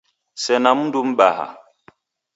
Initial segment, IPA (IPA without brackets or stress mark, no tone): s